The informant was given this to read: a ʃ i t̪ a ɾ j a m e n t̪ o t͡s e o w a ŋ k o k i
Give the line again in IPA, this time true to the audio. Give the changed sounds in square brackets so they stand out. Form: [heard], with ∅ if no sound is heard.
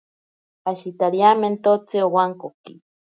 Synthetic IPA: a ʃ i t̪ a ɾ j a m e n t̪ o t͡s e o w a ŋ k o k i